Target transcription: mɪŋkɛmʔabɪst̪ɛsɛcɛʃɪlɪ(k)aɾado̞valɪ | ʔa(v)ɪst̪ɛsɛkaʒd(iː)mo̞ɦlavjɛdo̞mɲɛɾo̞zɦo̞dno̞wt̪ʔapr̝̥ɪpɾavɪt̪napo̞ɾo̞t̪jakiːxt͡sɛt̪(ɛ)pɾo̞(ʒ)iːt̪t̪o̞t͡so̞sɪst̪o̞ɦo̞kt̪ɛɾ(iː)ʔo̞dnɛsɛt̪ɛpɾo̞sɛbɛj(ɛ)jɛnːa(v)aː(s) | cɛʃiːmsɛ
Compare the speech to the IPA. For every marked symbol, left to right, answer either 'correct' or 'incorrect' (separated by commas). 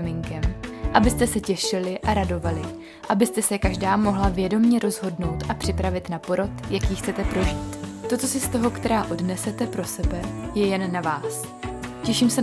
incorrect, incorrect, incorrect, correct, correct, incorrect, correct, correct, correct